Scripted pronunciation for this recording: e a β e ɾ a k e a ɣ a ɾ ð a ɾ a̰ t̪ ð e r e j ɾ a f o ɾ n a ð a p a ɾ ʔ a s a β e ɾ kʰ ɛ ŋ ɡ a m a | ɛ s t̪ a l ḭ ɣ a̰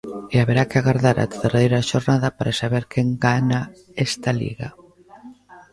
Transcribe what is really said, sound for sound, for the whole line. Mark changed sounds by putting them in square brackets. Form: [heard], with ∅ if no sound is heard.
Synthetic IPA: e a β e ɾ a k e a ɣ a ɾ ð a ɾ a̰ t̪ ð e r e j ɾ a [ʃ] o ɾ n a ð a p a ɾ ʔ a s a β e ɾ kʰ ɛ ŋ ɡ a [n] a | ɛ s t̪ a l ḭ ɣ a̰